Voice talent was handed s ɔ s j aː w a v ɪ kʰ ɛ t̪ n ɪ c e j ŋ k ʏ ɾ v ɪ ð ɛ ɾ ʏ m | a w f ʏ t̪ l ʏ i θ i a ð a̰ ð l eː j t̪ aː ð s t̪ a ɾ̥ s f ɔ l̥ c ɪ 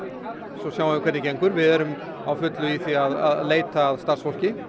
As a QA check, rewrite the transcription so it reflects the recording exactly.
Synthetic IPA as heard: s ɔ s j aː w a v ɪ kʰ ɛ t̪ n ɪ c e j ŋ k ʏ ɾ v ɪ ð ɛ ɾ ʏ m | a w f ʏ t̪ l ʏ i θ i a ð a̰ ð l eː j t̪ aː ð s t̪ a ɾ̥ s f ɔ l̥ c ɪ